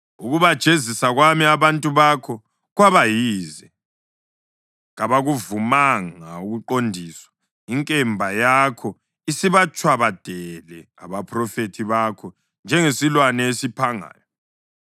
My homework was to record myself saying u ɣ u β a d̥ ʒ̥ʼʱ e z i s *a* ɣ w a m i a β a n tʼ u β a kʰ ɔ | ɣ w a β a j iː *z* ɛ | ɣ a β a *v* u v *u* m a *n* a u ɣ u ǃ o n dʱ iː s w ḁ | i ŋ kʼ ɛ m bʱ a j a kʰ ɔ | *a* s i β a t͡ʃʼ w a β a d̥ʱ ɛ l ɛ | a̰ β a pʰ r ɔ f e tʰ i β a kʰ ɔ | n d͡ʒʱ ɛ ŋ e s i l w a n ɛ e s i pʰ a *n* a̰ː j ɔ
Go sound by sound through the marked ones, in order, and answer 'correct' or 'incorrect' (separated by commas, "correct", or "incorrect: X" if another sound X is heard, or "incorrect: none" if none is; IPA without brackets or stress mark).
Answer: correct, correct, incorrect: ɣ, correct, incorrect: ŋ, incorrect: i, incorrect: ŋ